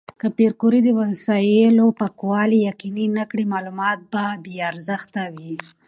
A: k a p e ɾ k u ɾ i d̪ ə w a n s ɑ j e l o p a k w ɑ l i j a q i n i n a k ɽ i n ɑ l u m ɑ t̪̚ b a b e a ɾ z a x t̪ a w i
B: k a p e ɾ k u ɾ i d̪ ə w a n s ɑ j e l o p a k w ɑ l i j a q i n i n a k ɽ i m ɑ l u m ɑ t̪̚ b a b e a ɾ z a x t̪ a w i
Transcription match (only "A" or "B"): B